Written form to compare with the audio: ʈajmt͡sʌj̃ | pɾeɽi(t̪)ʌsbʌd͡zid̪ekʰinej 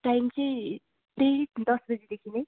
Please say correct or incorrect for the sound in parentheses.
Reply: incorrect